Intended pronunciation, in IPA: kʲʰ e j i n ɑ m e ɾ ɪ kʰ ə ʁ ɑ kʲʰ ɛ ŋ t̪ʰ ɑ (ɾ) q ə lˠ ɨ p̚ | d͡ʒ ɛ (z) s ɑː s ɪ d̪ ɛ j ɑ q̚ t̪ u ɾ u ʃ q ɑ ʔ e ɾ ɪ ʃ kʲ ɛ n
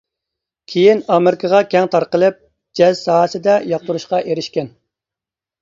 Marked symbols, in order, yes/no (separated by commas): yes, yes